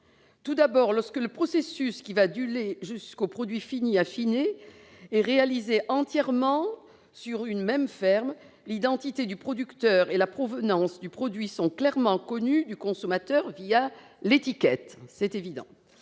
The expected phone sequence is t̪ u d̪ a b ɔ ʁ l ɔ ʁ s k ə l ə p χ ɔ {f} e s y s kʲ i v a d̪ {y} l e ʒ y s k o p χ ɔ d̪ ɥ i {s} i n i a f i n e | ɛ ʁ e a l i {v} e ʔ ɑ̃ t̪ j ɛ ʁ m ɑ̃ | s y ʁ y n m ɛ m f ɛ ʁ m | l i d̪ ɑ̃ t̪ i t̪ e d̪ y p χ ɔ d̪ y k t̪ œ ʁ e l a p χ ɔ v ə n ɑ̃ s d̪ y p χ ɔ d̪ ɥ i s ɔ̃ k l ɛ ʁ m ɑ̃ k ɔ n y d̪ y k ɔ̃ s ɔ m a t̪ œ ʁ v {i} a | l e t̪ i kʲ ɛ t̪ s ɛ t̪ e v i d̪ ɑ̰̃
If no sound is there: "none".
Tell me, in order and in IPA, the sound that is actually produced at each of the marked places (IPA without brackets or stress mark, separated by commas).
s, y, f, z, i